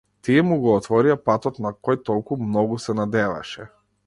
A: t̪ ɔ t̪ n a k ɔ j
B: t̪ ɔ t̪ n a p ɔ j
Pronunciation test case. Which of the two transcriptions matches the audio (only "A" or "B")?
A